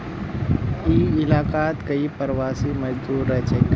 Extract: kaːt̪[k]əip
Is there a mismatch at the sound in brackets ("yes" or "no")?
no